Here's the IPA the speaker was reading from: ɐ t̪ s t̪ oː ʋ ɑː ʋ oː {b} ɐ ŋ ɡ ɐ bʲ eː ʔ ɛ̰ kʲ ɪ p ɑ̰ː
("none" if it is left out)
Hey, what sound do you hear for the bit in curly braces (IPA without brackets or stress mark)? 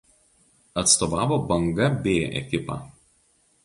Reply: b